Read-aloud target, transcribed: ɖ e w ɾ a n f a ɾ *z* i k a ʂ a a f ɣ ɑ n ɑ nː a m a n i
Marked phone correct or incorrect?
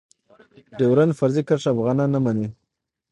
correct